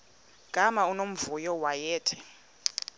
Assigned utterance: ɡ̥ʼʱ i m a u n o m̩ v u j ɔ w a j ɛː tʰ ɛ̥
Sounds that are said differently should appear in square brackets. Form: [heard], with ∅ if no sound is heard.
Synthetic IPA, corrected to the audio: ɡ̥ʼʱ [a] m a u n o m̩ v u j ɔ w a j ɛː tʰ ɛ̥